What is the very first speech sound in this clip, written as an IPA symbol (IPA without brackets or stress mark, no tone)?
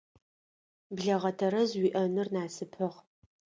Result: b